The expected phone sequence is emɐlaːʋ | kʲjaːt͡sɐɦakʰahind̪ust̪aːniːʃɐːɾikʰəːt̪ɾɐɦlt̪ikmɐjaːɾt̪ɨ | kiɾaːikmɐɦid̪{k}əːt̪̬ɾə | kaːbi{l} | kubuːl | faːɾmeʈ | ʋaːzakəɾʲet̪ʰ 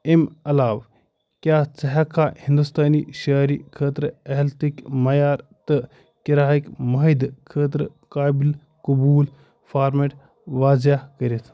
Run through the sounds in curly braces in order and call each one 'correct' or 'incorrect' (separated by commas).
incorrect, correct